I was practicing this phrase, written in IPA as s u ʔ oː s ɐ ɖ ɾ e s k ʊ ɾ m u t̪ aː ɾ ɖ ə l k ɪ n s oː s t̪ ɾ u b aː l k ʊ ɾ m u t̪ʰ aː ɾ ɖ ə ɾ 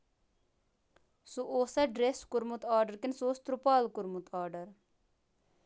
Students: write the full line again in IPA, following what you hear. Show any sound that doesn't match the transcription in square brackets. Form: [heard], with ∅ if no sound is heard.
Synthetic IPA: s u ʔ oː s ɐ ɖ ɾ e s k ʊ ɾ m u t̪ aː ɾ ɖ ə [ɾ] k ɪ n s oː s t̪ ɾ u [p] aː l k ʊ ɾ m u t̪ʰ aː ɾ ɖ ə ɾ